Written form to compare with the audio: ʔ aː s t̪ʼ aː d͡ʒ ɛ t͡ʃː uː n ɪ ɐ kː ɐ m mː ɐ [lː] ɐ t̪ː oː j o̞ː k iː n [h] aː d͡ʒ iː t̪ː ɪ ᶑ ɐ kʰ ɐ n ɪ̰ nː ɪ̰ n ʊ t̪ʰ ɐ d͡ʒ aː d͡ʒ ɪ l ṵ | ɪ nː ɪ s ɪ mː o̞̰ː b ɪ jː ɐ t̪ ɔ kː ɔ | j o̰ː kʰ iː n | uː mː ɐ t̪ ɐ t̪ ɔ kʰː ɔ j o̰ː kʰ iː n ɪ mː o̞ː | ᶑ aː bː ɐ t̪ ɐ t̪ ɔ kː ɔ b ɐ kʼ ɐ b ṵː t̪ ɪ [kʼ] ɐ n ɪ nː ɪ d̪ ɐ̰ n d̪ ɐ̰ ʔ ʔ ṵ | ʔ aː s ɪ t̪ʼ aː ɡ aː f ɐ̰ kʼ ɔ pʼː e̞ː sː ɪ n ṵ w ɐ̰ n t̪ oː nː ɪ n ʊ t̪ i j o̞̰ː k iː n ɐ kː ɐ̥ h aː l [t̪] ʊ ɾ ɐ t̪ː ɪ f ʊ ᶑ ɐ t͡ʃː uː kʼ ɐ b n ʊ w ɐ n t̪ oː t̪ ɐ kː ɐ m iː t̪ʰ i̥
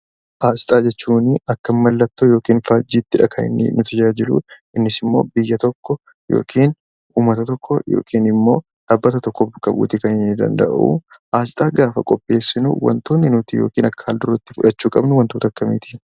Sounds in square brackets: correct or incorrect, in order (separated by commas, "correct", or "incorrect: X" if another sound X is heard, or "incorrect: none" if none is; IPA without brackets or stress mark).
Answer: correct, incorrect: f, incorrect: k, incorrect: d̪